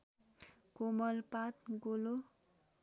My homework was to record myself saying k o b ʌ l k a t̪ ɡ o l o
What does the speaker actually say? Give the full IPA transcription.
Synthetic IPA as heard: k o m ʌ l p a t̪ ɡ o l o